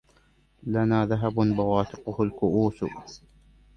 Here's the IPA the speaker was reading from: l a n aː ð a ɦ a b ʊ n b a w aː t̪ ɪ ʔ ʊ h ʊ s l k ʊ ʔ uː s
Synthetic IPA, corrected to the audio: l a n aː ð a ɦ a b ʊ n b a w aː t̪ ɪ q ʊ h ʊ l k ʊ ʔ uː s